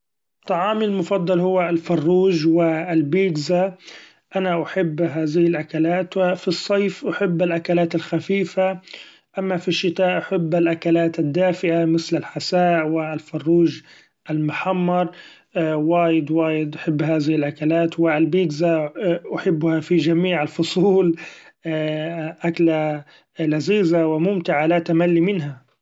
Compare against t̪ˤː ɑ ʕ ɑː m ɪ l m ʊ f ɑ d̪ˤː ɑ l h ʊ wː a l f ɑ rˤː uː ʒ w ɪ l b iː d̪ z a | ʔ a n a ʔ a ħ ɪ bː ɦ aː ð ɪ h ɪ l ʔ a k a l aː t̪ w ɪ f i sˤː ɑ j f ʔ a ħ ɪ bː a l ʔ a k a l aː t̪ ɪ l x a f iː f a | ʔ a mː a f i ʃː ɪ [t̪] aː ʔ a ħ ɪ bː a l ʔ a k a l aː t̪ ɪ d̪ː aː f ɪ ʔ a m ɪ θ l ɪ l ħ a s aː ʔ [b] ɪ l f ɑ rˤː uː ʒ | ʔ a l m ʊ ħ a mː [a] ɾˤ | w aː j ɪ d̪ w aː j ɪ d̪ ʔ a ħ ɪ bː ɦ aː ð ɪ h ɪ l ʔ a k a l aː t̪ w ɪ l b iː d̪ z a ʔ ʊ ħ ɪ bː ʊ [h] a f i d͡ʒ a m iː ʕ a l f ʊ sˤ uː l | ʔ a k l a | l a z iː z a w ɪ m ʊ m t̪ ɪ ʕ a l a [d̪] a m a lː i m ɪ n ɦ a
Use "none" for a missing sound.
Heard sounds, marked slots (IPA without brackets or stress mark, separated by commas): t̪, w, ɑ, h, t̪